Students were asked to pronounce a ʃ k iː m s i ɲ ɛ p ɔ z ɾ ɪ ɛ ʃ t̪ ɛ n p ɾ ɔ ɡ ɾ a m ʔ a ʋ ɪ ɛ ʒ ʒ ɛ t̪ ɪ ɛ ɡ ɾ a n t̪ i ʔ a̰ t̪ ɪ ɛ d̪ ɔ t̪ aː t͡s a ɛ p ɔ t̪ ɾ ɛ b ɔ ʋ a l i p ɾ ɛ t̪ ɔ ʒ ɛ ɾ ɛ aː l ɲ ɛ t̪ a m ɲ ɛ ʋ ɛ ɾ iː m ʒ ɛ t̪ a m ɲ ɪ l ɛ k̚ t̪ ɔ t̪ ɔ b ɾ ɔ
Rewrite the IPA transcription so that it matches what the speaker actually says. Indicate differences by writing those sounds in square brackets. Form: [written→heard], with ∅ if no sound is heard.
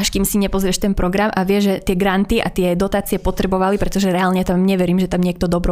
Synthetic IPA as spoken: a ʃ k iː m s i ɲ ɛ p ɔ z ɾ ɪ ɛ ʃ t̪ ɛ n p ɾ ɔ ɡ ɾ a m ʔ a ʋ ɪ ɛ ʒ ʒ ɛ t̪ ɪ ɛ ɡ ɾ a n t̪ i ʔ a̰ t̪ ɪ ɛ d̪ ɔ t̪ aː t͡s [a→i] ɛ p ɔ t̪ ɾ ɛ b ɔ ʋ a l i p ɾ ɛ t̪ ɔ ʒ ɛ ɾ ɛ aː l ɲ ɛ t̪ a m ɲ ɛ ʋ ɛ ɾ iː m ʒ ɛ t̪ a m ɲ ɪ [l→∅] ɛ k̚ t̪ ɔ [t̪→d̪] ɔ b ɾ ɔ